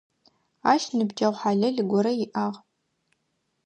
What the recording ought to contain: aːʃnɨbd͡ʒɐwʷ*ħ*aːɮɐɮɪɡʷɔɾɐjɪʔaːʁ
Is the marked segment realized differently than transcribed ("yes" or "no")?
no